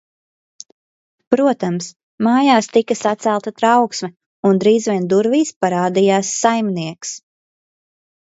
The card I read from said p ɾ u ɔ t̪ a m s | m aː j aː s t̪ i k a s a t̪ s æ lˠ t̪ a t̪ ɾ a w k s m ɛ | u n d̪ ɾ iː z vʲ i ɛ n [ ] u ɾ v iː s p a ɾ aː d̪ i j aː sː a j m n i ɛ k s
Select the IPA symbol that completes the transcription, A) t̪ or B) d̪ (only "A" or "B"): B